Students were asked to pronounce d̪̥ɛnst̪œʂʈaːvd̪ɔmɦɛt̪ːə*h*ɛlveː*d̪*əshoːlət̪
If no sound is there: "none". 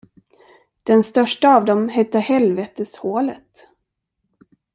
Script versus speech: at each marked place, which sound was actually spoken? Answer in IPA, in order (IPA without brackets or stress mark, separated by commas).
h, t̪